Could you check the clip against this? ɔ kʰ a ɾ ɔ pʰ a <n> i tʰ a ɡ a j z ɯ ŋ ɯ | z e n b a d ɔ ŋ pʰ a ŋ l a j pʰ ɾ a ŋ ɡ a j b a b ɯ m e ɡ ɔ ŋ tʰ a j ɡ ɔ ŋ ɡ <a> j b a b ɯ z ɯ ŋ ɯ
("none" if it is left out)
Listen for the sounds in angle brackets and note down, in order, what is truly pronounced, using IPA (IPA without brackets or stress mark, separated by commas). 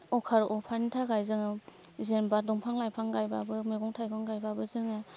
n, a